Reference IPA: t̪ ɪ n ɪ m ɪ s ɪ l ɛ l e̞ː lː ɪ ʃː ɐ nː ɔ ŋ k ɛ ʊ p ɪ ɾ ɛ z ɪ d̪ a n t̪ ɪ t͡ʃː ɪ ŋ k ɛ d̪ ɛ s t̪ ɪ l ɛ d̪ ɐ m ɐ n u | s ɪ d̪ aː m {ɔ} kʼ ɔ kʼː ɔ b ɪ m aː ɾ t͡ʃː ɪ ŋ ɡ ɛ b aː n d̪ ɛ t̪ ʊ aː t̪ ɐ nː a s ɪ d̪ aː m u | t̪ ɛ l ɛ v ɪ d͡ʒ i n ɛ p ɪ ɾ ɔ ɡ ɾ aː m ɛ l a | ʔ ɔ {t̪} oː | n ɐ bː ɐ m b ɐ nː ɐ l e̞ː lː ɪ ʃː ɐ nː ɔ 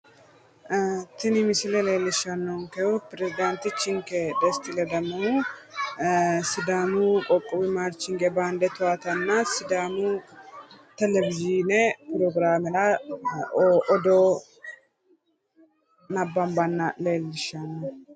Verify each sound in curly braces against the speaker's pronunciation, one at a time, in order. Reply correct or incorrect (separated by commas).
incorrect, incorrect